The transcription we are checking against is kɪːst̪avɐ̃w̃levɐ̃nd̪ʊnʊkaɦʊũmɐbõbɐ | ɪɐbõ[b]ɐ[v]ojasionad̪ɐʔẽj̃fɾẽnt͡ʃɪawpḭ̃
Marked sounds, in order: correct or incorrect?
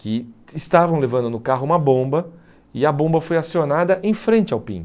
correct, incorrect: f

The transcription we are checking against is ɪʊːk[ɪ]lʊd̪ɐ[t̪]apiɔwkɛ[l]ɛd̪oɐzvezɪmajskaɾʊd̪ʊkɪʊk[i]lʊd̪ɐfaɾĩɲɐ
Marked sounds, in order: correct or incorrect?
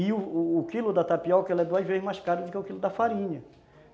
incorrect: i, correct, correct, correct

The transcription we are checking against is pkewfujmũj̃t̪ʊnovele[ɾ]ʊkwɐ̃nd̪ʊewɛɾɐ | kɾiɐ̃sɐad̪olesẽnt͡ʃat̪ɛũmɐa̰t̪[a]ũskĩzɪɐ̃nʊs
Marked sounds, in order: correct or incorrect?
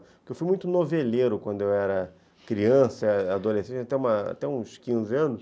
correct, incorrect: ɛ

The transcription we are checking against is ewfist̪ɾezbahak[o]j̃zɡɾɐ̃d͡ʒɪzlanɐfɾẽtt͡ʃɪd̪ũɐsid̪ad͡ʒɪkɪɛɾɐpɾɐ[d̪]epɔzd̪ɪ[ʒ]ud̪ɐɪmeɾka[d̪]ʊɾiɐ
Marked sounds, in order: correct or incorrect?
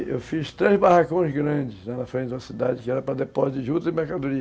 incorrect: õ, correct, correct, correct

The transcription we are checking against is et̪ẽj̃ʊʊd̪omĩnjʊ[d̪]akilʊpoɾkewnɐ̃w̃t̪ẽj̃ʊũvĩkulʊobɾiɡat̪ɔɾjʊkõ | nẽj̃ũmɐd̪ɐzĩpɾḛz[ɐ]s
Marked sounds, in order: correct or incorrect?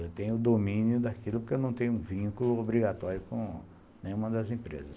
correct, correct

